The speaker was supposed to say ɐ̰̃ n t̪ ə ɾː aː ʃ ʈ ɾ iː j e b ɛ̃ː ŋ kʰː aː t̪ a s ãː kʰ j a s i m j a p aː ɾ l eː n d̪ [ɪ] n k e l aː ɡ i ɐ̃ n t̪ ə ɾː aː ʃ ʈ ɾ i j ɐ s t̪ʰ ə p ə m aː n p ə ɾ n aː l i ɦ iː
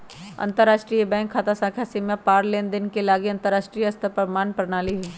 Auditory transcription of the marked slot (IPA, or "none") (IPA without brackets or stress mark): ɪ